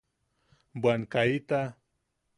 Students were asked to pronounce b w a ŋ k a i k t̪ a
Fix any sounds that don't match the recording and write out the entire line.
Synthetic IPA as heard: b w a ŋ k a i t̪ a

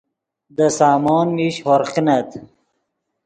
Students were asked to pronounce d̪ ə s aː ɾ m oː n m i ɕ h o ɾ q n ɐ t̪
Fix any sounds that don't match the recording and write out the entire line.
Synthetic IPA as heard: d̪ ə s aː m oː n m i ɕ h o ɾ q n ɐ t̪

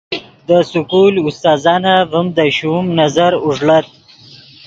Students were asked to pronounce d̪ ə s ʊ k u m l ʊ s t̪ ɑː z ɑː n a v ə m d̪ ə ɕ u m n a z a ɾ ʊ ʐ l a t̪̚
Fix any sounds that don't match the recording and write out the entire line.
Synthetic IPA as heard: d̪ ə s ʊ k u l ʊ s t̪ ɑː z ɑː n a v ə m d̪ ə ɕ u m n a z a ɾ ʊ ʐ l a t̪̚

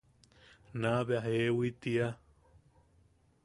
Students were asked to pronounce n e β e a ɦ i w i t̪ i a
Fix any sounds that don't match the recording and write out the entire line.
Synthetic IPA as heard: n a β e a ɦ e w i t̪ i a

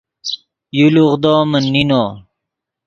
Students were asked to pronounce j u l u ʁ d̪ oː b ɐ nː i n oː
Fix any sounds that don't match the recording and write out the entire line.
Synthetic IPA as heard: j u l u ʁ d̪ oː m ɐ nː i n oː

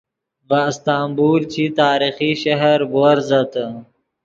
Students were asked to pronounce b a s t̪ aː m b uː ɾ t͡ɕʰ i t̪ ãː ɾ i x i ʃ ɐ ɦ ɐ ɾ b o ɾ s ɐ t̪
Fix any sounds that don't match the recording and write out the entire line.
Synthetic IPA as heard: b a s t̪ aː m b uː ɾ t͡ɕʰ i t̪ aː ɾ i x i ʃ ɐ ɦ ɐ ɾ b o ɾ z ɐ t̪

